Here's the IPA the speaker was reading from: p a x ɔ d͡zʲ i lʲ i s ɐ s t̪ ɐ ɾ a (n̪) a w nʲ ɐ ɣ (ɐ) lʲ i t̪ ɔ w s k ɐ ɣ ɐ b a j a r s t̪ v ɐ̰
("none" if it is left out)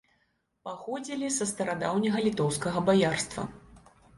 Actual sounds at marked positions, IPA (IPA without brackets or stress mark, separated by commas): d̪, ɐ